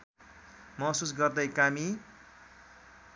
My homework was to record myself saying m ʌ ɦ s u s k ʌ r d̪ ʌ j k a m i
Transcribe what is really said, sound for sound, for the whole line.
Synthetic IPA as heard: m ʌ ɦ s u s ɡ ʌ r d̪ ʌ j k a m i

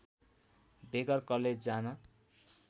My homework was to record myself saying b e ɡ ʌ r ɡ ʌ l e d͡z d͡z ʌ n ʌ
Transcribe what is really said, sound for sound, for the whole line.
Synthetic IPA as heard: b e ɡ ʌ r k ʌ l e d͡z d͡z a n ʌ

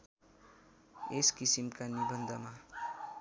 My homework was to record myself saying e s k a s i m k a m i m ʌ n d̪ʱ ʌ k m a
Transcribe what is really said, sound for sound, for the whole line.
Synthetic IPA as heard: e s k i s i m k a n i b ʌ n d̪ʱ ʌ m a

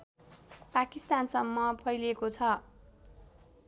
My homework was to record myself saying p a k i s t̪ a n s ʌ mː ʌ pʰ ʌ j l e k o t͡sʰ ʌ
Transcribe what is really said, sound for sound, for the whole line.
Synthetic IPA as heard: p a k i s t̪ a n s ʌ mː ʌ pʰ ʌ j l e k o t͡sʰ ʌ

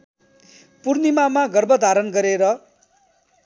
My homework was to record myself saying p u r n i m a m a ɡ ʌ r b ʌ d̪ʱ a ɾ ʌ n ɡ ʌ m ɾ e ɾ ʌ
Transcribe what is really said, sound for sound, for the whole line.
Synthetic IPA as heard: p u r n i m a m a ɡ ʌ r b ʌ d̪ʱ a ɾ ʌ n ɡ ʌ ɾ e ɾ ʌ

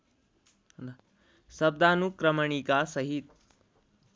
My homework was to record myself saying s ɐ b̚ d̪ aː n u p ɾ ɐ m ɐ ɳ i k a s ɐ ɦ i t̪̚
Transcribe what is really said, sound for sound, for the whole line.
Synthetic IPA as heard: s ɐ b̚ d̪ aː n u k ɾ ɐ m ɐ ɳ i k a s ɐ ɦ i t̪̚

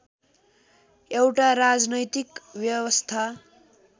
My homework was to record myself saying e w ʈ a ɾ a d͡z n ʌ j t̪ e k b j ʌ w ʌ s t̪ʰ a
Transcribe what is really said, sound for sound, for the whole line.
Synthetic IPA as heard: e w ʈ a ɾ a d͡z n ʌ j t̪ i k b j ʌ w ʌ s t̪ʰ a

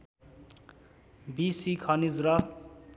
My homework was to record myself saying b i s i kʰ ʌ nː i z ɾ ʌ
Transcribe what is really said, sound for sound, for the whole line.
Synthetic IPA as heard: b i s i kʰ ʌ n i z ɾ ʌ

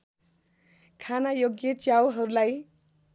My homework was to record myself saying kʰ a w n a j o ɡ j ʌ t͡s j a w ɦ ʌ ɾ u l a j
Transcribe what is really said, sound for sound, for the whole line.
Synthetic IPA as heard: kʰ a n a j o ɡ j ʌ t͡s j a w ɦ ʌ ɾ u l a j

